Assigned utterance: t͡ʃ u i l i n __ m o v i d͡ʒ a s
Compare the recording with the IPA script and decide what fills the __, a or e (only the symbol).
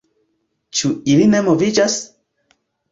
e